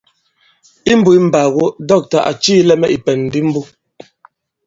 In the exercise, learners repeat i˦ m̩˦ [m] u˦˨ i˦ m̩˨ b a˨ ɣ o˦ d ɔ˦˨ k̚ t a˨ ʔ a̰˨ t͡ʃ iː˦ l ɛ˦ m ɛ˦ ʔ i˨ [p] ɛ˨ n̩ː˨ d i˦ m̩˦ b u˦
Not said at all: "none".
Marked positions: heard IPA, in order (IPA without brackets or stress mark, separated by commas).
b, p